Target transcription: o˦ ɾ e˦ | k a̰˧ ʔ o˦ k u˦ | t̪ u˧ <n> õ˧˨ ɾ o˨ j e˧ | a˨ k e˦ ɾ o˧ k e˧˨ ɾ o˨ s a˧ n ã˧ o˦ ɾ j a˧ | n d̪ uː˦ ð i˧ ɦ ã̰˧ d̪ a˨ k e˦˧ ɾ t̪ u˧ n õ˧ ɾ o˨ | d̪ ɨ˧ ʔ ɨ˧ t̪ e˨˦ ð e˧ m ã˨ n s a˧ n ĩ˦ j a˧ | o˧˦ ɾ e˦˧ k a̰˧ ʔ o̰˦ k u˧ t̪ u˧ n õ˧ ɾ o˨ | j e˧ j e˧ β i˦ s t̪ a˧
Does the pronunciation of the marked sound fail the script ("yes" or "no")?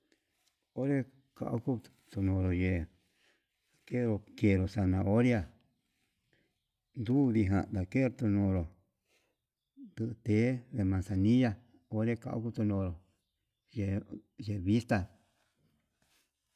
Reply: no